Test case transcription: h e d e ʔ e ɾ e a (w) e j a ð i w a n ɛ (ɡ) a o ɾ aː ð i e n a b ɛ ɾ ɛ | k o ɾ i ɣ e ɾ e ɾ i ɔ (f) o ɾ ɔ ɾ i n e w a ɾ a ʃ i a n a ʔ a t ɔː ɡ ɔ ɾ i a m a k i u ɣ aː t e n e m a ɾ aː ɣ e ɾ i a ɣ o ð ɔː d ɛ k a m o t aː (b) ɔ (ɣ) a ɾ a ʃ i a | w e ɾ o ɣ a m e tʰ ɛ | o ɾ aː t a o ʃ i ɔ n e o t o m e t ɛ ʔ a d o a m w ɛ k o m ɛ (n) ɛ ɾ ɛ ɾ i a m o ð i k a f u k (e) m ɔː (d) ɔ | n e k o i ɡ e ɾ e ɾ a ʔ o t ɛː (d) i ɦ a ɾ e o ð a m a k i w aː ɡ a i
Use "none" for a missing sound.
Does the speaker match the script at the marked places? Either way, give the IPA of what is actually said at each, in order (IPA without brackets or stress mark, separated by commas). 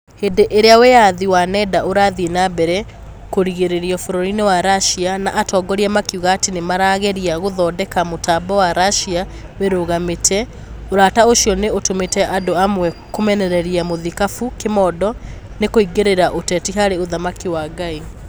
w, d, f, b, w, n, e, d, t